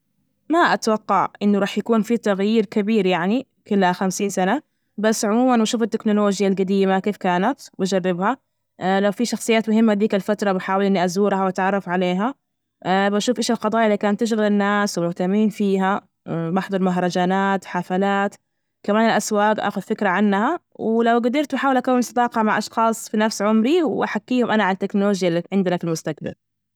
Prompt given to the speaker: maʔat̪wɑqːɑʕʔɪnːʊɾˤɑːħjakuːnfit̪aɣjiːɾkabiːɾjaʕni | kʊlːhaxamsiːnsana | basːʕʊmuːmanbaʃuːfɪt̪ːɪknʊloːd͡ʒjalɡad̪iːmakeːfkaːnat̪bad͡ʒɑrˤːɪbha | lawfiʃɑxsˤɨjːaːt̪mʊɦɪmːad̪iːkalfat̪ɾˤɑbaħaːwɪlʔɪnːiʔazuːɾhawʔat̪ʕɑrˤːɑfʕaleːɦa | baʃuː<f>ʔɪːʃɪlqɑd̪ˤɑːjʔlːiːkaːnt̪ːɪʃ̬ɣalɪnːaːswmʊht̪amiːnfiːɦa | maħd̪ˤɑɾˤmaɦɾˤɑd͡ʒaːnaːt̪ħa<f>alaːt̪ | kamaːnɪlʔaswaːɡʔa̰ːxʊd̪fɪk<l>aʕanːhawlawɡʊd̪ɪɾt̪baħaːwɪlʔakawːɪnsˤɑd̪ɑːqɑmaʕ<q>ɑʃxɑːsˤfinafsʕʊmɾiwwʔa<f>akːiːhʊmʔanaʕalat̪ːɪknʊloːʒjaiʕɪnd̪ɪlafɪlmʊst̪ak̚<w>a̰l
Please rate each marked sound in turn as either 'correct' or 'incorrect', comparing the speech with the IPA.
correct, correct, incorrect: ɾ, incorrect: ʔ, incorrect: ħ, incorrect: b

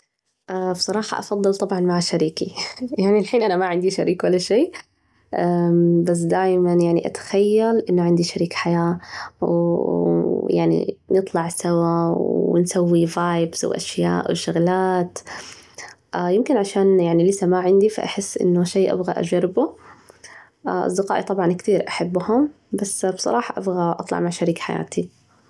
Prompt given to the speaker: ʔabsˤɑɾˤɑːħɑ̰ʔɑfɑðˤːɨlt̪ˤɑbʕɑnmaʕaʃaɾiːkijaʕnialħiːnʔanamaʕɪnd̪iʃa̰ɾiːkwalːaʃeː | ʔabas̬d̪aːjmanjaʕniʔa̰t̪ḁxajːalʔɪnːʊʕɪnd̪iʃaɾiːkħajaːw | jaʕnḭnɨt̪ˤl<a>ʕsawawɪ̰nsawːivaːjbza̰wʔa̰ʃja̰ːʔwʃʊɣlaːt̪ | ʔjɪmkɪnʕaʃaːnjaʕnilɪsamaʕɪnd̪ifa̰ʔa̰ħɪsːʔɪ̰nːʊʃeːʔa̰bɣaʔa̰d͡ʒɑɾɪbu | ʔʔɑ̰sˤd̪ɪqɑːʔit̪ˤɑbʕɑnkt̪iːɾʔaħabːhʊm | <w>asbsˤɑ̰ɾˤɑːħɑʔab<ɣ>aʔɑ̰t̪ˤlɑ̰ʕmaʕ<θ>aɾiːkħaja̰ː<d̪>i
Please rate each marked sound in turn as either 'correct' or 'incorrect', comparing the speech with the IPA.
incorrect: ɑ, incorrect: b, correct, incorrect: ʃ, incorrect: t̪

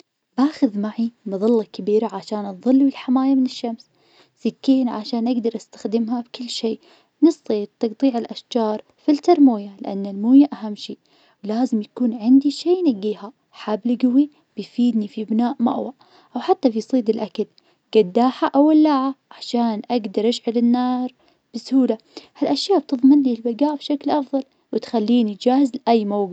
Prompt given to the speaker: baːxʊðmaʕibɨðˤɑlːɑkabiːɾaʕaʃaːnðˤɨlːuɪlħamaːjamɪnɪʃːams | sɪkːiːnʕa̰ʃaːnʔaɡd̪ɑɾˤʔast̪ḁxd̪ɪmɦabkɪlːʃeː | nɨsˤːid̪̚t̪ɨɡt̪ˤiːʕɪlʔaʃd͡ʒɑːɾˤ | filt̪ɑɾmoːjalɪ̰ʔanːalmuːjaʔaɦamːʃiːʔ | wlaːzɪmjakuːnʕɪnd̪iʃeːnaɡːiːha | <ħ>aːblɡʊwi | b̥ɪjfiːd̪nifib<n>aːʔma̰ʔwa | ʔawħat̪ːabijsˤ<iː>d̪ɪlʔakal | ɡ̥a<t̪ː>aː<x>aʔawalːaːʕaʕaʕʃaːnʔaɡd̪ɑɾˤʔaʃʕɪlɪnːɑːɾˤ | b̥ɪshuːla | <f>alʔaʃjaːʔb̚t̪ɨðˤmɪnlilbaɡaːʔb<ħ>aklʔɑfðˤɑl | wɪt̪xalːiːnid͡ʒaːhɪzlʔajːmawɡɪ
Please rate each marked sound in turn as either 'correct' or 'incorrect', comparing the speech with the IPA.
correct, correct, correct, incorrect: d̪ː, incorrect: ħ, incorrect: h, incorrect: ʃ

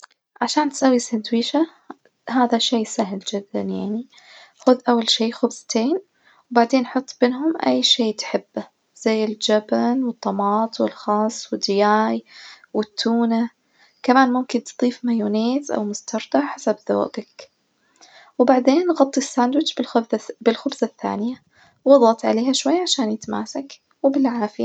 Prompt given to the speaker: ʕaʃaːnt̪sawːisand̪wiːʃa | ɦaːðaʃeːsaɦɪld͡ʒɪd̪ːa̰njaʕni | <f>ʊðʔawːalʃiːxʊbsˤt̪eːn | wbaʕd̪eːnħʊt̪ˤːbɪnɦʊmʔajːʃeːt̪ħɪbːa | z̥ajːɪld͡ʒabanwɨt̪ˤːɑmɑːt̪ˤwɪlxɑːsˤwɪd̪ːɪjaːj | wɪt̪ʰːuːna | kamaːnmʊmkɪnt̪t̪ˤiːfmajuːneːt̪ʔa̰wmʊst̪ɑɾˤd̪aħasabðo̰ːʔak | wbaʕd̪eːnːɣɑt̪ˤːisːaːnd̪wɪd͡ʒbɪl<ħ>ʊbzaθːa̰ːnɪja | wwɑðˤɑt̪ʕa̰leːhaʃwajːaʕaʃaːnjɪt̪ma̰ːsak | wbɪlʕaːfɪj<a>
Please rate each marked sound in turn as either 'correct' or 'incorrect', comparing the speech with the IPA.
incorrect: x, incorrect: x, correct

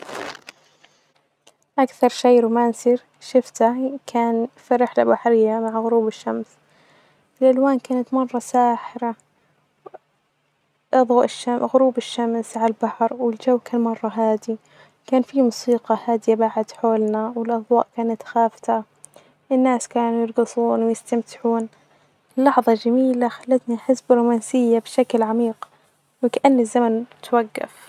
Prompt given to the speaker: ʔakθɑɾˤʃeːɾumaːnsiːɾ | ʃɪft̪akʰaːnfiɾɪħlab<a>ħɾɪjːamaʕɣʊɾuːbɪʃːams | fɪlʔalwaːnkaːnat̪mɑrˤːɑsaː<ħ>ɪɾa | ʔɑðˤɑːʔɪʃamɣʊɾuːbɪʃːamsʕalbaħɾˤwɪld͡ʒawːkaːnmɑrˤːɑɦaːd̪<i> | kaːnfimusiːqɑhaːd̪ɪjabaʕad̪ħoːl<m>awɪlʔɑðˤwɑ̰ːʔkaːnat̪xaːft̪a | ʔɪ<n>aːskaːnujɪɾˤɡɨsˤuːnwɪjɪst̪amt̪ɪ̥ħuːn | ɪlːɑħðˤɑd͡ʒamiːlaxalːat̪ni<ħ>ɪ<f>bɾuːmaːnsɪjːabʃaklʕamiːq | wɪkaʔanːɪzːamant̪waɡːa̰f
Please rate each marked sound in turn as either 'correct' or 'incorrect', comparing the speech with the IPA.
correct, correct, correct, incorrect: n, incorrect: nː, correct, incorrect: s

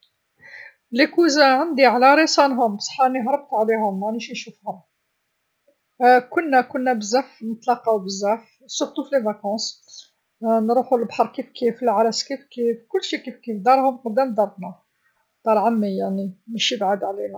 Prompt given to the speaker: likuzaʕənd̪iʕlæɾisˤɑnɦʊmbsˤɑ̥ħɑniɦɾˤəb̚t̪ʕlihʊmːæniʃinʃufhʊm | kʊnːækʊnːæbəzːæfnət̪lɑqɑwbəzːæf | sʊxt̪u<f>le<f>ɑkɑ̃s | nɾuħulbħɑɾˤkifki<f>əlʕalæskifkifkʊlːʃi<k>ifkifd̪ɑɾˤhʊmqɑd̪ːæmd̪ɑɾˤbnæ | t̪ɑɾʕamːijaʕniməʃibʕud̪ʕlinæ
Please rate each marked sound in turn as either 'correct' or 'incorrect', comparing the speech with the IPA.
correct, incorrect: v, correct, correct

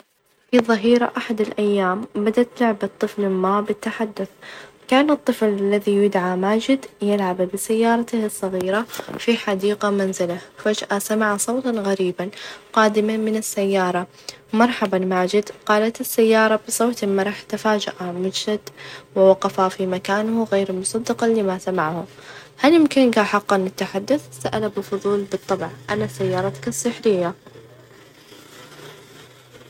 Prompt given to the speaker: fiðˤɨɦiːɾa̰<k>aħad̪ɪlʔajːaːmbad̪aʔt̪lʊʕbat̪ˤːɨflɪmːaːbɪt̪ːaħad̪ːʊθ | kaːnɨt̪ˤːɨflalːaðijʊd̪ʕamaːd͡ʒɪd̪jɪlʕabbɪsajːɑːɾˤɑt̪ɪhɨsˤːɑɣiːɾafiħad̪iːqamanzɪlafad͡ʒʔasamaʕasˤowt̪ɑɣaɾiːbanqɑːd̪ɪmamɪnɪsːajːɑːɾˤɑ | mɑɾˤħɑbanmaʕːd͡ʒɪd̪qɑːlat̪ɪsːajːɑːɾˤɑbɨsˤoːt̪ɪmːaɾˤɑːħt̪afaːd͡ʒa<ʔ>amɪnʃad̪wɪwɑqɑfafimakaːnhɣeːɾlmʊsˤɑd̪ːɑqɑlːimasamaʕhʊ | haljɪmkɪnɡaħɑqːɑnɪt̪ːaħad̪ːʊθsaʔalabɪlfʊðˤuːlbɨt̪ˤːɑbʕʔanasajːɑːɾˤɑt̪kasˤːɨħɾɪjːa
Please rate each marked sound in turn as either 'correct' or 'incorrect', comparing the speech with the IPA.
incorrect: ʔ, correct

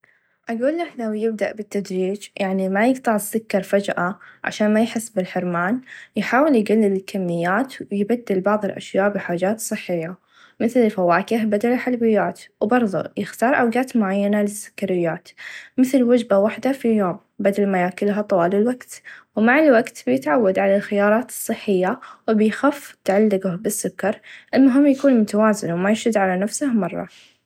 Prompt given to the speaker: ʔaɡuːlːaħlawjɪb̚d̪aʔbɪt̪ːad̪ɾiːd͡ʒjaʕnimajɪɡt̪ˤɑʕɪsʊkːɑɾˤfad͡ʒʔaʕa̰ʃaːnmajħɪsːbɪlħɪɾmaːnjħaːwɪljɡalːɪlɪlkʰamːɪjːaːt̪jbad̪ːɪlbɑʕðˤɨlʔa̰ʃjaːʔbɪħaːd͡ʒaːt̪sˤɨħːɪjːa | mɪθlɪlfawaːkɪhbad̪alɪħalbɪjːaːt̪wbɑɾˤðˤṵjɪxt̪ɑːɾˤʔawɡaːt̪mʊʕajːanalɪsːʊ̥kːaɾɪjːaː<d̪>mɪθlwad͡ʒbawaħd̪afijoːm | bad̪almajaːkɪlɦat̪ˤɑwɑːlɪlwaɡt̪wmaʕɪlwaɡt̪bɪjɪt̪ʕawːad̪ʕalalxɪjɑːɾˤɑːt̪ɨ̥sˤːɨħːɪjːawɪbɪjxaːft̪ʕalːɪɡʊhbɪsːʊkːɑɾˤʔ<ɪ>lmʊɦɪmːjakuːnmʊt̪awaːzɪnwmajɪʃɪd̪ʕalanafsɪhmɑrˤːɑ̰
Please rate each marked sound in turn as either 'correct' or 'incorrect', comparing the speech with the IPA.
incorrect: t̪, correct

